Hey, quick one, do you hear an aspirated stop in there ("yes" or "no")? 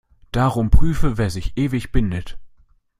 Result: no